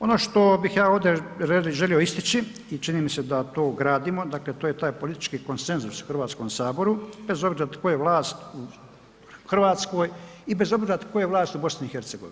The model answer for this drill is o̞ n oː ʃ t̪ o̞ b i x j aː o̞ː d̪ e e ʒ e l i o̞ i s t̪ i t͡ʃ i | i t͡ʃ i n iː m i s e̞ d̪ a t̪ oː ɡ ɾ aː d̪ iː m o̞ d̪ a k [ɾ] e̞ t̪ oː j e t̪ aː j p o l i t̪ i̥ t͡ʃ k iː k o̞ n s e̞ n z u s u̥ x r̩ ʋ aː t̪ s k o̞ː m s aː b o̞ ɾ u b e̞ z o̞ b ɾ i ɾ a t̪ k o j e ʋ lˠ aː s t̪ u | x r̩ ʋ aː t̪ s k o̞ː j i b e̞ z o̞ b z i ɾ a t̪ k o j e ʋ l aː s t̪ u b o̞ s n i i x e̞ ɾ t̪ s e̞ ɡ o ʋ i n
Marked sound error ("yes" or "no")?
yes